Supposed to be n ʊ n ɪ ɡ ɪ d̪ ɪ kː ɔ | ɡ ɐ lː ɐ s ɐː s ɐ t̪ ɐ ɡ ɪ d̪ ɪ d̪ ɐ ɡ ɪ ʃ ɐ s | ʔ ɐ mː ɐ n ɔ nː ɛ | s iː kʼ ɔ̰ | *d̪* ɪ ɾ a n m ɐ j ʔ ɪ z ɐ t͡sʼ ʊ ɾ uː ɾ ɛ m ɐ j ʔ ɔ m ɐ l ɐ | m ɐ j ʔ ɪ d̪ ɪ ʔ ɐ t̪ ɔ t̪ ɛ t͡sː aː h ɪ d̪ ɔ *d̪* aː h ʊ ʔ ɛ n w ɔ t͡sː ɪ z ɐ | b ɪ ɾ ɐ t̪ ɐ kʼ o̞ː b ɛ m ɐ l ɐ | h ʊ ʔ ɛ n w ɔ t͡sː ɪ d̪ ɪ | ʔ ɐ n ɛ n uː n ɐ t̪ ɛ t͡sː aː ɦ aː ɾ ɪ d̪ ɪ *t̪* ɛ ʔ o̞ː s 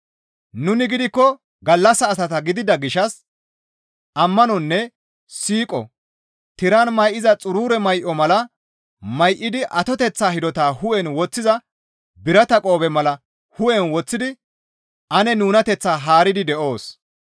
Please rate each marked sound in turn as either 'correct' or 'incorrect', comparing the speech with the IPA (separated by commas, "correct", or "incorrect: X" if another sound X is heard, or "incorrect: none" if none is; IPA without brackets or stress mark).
incorrect: t̪, incorrect: t̪, incorrect: d̪